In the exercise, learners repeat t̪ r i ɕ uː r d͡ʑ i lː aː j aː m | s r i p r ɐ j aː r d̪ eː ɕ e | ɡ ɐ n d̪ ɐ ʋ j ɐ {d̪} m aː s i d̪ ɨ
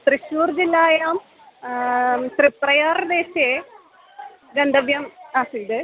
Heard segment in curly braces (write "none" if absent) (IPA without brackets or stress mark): none